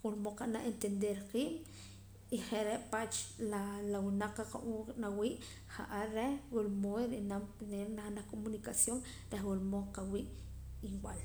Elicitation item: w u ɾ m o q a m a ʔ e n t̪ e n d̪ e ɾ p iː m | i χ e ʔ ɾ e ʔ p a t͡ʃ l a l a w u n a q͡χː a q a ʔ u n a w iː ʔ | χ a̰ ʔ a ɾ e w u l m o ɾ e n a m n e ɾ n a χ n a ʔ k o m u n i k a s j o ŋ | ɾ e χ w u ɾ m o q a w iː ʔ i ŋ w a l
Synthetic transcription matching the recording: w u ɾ m o q a n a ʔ e n t̪ e n d̪ e ɾ q iː m | i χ e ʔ ɾ e ʔ p a t͡ʃ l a l a w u n a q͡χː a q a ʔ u n a w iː ʔ | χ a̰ ʔ a ɾ e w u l m o ɾ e n a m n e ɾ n a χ n a k o m u n i k a s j o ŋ | ɾ e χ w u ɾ m o q a w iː ʔ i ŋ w a l